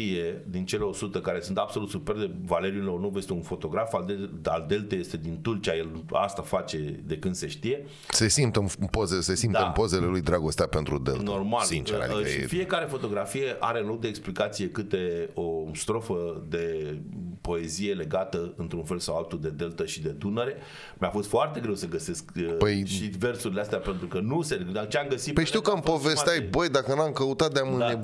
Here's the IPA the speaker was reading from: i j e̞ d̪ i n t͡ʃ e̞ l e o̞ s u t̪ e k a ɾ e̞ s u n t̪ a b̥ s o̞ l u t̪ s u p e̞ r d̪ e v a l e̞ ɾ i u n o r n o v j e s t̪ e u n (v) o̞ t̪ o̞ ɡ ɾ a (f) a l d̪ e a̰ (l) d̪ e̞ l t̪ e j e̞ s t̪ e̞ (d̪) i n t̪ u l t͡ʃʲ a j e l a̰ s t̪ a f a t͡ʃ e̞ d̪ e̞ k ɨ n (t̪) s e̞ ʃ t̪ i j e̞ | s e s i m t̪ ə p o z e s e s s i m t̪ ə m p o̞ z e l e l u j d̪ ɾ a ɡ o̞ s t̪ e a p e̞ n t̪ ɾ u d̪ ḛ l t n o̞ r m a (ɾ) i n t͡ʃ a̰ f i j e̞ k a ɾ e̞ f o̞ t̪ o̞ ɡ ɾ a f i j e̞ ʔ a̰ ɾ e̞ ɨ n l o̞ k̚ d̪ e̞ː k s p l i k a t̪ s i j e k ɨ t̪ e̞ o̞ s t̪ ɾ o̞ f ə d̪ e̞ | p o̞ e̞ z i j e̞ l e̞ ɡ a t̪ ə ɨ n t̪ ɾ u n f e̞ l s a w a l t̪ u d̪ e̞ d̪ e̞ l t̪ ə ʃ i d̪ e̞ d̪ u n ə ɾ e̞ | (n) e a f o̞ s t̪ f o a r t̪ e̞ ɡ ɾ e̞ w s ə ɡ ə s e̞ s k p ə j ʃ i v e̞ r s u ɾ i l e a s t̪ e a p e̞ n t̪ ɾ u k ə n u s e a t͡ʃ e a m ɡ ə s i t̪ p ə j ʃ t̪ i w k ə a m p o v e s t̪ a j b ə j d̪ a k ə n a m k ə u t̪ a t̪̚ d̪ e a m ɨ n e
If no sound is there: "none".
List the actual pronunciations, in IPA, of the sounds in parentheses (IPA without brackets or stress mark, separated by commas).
f, f, l, d̪, d̪, l, m